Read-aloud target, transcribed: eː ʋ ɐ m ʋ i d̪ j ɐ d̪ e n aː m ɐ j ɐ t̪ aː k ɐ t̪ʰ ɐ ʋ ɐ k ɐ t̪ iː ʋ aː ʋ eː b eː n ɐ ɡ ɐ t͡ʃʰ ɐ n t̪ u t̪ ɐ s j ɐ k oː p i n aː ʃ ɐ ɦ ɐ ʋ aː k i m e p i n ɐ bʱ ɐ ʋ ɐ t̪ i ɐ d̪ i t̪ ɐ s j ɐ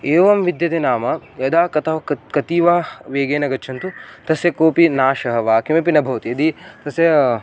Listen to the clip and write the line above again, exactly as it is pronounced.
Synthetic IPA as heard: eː ʋ ɐ m ʋ i d̪ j ɐ t̪ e n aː m ɐ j ɐ d̪ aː k ɐ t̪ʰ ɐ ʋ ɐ k ɐ t̪ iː ʋ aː ʋ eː ɡ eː n ɐ ɡ ɐ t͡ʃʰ ɐ n t̪ u t̪ ɐ s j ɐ k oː p i n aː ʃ ɐ ɦ ɐ ʋ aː k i m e p i n ɐ bʱ ɐ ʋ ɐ t̪ i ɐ d̪ i t̪ ɐ s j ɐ